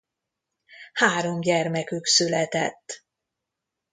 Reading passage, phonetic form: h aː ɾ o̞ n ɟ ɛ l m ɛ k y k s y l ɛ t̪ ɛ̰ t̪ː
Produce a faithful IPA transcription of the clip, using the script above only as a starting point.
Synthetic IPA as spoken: h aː ɾ o̞ m ɟ ɛ r m ɛ k y k s y l ɛ t̪ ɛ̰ t̪ː